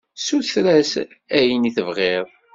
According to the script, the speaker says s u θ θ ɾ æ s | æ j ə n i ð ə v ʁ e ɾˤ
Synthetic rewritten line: s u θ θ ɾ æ s | æ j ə n i θ ə v ʁ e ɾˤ